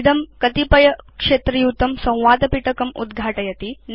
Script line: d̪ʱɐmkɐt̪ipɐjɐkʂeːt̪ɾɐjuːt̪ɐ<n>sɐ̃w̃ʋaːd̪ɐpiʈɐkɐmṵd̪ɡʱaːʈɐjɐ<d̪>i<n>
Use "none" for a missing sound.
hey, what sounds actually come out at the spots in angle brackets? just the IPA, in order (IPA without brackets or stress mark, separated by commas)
m, t̪, n